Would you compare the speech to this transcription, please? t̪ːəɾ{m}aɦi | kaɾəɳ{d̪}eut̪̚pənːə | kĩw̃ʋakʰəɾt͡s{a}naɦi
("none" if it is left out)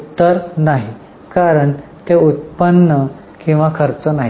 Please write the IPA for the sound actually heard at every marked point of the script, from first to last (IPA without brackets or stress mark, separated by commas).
n, t̪, ə